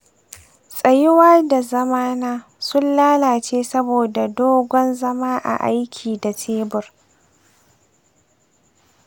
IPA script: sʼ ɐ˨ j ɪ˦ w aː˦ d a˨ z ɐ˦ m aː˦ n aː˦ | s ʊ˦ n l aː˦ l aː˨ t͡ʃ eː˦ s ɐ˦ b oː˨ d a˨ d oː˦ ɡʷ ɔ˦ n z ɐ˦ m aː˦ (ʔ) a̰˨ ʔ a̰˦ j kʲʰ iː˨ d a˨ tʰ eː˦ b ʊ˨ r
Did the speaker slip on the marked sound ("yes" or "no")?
no